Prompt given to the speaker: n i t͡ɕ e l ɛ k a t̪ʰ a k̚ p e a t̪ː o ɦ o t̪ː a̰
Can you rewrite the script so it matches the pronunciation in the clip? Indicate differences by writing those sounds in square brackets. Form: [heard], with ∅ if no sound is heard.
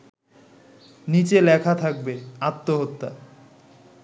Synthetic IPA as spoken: n i t͡ɕ e l ɛ [kʰ] a t̪ʰ a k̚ [b] e a t̪ː o ɦ o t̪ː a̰